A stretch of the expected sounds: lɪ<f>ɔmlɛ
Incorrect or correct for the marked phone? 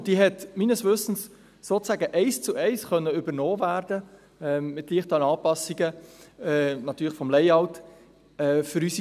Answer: correct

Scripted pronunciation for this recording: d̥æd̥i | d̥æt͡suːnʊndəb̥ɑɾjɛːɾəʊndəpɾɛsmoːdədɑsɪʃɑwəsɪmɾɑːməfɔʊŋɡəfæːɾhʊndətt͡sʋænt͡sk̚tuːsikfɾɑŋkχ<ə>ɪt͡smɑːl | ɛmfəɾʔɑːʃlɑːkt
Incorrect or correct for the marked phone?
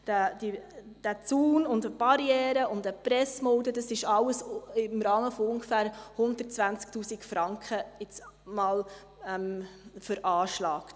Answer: correct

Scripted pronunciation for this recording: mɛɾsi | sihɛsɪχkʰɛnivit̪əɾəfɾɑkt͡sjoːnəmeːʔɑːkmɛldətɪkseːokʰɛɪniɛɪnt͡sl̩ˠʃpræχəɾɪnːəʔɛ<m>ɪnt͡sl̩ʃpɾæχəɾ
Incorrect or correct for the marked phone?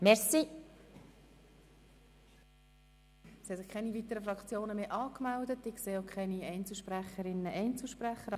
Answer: incorrect: none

